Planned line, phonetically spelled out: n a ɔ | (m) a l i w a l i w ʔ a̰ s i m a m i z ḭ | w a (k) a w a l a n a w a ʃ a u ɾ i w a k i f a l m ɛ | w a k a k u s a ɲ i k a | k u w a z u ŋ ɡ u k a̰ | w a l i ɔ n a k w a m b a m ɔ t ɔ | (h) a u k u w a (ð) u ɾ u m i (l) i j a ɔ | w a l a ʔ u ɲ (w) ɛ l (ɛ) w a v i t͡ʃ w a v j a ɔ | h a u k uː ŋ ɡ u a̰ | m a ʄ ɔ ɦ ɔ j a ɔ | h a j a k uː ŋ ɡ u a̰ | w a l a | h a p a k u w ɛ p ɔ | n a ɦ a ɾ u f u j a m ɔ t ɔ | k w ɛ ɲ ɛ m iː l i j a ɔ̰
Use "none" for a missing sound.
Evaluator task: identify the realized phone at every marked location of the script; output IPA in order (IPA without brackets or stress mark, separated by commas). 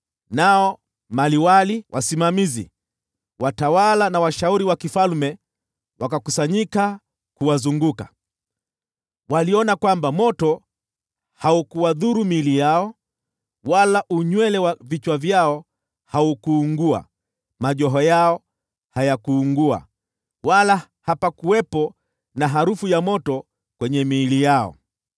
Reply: m, t, h, ð, l, w, ɛ